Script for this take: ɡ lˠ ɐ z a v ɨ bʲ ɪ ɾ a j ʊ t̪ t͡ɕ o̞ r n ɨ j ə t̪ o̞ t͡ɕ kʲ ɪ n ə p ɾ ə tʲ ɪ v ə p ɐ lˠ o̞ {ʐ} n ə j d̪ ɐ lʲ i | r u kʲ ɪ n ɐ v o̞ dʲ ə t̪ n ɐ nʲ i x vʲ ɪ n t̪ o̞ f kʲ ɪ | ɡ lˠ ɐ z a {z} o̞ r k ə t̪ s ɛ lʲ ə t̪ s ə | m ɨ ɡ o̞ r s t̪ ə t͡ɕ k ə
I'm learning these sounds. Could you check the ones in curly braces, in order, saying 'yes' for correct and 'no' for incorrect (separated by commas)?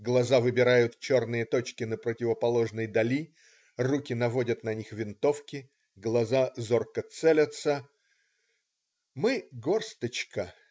yes, yes